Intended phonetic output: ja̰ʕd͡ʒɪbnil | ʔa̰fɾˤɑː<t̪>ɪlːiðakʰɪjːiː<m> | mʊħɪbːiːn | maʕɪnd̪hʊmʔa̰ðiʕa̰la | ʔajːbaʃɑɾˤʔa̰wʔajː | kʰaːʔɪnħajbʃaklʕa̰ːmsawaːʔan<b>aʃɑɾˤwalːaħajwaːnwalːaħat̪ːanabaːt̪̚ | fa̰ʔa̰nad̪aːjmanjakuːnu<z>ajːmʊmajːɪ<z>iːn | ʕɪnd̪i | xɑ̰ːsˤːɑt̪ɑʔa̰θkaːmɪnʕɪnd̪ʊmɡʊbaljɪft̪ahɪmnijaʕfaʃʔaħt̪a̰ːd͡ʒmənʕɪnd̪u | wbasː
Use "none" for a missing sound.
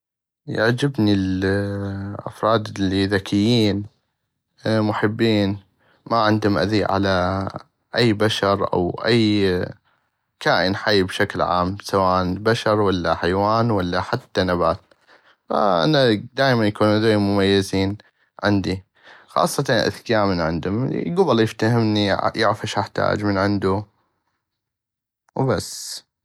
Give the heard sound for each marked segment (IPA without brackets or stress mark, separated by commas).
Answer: d̪, n, b, z, z